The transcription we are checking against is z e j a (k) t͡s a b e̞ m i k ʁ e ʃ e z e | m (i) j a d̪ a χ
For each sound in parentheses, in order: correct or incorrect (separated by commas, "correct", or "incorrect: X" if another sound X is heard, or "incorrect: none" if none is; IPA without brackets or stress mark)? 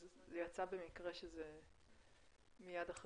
incorrect: none, correct